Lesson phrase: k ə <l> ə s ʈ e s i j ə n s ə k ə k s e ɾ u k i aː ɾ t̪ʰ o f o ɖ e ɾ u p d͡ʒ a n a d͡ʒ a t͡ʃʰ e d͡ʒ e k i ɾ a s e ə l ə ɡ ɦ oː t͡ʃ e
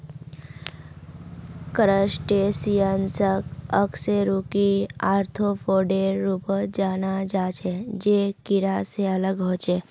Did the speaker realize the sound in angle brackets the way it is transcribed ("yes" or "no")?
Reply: no